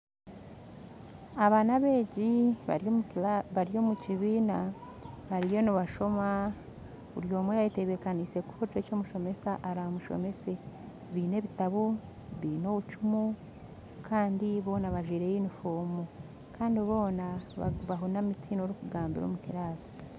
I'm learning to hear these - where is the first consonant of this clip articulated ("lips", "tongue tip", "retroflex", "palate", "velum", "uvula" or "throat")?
lips